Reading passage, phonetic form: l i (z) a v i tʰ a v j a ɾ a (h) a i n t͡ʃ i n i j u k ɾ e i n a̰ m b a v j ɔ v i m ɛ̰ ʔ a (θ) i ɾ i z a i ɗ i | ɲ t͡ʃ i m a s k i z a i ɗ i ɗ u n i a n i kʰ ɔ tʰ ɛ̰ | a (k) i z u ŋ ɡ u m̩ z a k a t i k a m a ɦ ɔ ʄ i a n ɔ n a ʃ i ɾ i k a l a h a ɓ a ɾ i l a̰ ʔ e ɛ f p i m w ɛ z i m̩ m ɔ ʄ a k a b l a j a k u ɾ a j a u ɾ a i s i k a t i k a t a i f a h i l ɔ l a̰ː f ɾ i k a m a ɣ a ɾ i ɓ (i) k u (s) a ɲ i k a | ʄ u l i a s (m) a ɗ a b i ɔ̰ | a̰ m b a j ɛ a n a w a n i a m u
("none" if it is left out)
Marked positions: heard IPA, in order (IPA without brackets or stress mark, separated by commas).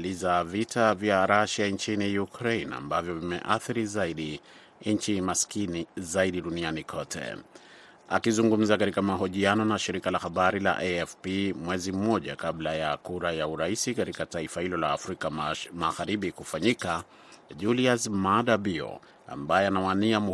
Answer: z, ʃ, θ, k, i, f, m